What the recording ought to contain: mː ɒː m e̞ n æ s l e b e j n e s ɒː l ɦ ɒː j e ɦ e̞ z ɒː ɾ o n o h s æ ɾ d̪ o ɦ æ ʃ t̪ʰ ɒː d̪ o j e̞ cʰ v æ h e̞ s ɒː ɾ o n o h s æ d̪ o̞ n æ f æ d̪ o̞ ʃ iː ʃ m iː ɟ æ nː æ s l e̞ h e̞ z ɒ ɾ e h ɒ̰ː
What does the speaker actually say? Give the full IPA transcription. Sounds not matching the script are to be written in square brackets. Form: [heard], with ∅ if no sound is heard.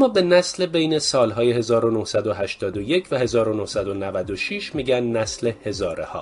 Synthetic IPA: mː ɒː [b] e̞ n æ s l e b e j n e s ɒː l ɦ ɒː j e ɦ e̞ z ɒː ɾ o n o h s æ [∅] d̪ o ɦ æ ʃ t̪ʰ ɒː d̪ o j e̞ cʰ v æ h e̞ [z] ɒː ɾ o n o h s æ d̪ o̞ n æ [v] æ d̪ o̞ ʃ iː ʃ m iː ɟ æ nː æ s l e̞ h e̞ z [ɒː] ɾ e h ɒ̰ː